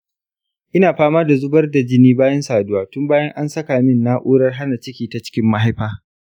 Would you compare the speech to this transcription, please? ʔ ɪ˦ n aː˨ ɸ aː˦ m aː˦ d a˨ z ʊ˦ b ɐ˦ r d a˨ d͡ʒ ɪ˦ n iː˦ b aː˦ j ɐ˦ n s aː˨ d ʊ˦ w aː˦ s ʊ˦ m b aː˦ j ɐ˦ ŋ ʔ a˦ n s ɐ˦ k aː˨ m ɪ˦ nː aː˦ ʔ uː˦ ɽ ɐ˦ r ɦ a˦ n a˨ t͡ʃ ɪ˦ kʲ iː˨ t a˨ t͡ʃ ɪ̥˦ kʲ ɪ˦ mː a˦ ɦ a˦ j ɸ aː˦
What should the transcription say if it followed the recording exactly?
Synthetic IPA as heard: ʔ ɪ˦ n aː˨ ɸ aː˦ m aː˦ d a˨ z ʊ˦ b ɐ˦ r d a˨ d͡ʒ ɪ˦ n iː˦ b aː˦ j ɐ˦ n s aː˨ d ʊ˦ w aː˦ t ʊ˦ m b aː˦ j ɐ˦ ŋ ʔ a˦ n s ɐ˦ k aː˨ m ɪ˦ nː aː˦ ʔ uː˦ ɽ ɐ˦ r ɦ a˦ n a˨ t͡ʃ ɪ˦ kʲ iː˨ t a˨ t͡ʃ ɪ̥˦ kʲ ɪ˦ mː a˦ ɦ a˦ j ɸ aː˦